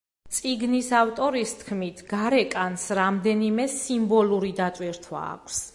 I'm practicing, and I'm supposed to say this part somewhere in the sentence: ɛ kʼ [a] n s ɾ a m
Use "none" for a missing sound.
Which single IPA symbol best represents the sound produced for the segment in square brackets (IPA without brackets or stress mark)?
a